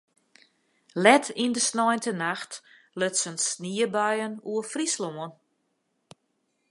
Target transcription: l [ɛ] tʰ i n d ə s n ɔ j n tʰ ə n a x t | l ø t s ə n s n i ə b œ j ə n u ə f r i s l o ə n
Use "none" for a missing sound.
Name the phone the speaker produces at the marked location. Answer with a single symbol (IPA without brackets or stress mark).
ɛ